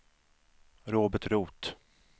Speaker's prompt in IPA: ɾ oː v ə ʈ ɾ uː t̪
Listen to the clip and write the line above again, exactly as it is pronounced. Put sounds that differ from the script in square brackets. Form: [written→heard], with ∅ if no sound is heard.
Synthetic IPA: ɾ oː [v→b] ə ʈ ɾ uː t̪